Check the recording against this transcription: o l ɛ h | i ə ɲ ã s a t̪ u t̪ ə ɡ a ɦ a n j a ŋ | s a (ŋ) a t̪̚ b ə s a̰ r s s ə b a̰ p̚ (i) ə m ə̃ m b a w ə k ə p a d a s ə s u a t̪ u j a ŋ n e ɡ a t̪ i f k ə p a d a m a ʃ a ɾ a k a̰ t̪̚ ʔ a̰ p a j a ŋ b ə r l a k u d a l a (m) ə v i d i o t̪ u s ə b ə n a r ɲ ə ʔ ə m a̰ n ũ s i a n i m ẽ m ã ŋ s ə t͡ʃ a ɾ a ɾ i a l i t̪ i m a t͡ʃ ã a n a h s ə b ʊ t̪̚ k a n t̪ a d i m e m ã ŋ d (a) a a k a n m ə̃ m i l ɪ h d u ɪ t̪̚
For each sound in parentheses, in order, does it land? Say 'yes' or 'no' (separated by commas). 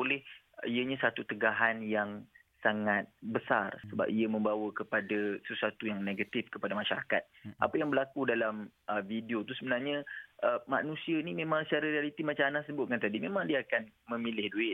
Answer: yes, yes, yes, no